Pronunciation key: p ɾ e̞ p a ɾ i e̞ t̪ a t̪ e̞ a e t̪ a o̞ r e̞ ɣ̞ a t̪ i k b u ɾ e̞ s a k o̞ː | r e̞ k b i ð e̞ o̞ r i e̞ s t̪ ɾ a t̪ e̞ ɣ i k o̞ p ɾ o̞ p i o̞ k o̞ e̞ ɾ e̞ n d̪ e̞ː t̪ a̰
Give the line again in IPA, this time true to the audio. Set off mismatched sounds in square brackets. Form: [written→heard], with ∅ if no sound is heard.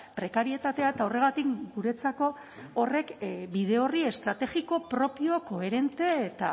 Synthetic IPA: p ɾ e̞ [p→k] a ɾ i e̞ t̪ a t̪ e̞ a e t̪ a o̞ r e̞ ɣ̞ a t̪ i k [b→ɡ] u ɾ e̞ [s→t͡s] a k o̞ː | r e̞ k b i ð e̞ o̞ r i e̞ s t̪ ɾ a t̪ e̞ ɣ i k o̞ p ɾ o̞ p i o̞ k o̞ e̞ ɾ e̞ n [d̪→t̪] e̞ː t̪ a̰